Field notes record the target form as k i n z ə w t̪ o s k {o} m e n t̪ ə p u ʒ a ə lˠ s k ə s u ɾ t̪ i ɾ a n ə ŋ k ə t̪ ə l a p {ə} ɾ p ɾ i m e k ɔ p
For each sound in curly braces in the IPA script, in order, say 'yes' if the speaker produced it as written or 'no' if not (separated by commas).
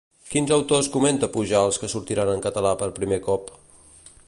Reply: no, yes